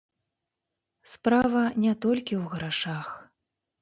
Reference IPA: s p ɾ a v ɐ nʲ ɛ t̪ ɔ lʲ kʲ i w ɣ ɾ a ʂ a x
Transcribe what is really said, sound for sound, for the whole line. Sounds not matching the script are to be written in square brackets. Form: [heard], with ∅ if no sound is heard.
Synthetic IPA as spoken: s p ɾ a v ɐ nʲ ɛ t̪ ɔ lʲ kʲ i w ɣ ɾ a ʂ a x